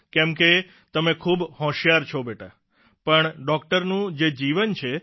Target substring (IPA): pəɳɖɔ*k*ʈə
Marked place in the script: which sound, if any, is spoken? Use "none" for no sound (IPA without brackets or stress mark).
k